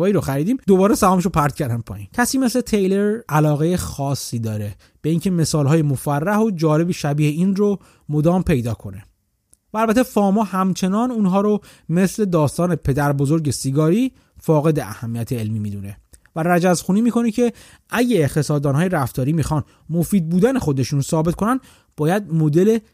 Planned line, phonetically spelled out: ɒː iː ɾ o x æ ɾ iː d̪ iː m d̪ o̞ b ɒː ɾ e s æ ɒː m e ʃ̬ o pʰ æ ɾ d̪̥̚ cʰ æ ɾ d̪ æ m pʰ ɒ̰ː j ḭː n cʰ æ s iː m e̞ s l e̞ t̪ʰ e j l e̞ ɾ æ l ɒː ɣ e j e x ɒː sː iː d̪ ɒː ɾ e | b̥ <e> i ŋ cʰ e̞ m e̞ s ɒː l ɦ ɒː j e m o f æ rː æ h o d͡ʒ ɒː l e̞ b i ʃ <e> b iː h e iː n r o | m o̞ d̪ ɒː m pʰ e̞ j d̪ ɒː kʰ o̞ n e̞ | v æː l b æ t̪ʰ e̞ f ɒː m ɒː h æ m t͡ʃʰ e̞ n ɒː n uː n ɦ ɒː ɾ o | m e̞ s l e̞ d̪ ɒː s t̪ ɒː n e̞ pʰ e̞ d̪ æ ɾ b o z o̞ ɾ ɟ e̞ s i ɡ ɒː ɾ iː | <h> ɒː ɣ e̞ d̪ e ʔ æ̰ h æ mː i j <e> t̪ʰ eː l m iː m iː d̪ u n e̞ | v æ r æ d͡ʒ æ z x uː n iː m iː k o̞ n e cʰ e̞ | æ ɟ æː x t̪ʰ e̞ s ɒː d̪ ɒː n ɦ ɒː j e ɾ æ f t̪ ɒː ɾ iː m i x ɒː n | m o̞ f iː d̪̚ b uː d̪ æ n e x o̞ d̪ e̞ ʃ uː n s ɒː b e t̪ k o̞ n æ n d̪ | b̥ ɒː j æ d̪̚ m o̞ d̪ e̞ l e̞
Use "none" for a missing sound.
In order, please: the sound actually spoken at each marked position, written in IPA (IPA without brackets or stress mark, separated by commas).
e, æ, f, æ